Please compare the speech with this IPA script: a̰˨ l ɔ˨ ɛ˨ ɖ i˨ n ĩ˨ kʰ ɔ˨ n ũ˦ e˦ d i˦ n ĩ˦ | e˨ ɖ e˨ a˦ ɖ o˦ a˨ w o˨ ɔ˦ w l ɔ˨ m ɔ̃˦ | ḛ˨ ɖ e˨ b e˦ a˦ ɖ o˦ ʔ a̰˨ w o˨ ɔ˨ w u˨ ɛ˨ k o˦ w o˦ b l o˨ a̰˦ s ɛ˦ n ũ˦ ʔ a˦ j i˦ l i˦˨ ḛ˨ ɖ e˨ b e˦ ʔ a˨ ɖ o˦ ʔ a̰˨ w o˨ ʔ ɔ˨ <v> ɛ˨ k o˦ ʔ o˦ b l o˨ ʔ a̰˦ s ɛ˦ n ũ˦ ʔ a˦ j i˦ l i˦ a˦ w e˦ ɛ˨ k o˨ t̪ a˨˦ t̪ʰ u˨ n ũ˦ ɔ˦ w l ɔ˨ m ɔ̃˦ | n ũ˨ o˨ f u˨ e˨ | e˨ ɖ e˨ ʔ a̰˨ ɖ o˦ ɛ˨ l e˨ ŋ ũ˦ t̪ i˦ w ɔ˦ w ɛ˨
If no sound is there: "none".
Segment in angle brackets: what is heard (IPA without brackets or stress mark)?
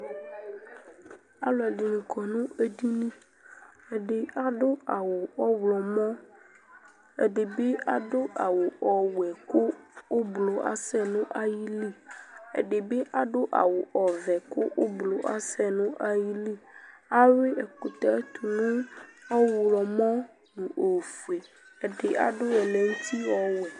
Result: v